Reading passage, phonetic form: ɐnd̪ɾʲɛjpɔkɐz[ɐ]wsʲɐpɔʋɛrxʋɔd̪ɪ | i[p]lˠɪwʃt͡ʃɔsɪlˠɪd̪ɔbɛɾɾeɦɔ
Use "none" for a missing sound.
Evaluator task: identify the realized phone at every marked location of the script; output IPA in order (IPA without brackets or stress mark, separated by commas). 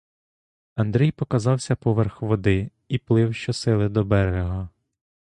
ɑ, p